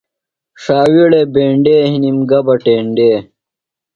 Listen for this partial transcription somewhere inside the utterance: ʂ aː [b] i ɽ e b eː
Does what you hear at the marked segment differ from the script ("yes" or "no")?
yes